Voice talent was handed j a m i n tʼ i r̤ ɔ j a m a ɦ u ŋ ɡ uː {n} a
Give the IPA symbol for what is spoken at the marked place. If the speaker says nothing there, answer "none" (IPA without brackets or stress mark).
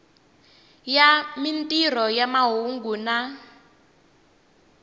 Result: n